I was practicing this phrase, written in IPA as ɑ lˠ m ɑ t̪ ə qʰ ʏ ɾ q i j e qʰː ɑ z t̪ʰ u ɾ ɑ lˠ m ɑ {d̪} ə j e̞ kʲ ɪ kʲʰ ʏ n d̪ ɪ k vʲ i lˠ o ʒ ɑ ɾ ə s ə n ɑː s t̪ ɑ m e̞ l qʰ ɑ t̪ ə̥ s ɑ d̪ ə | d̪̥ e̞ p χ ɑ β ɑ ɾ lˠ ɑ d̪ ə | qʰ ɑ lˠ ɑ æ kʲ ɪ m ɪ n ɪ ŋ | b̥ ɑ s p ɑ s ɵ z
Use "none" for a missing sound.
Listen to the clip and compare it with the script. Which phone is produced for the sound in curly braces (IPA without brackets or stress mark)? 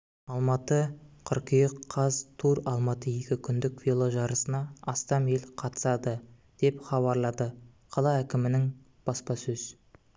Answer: t̪